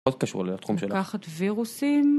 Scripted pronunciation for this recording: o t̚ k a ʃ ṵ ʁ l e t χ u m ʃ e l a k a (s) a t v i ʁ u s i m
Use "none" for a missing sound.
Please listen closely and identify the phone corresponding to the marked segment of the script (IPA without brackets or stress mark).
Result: χ